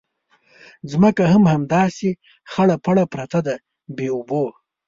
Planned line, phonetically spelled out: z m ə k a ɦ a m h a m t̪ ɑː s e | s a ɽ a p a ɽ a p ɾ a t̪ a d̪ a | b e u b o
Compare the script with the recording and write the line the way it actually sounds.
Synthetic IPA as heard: z m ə k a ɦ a m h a m d̪ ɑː s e | x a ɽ a p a ɽ a p ɾ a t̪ a d̪ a | b e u b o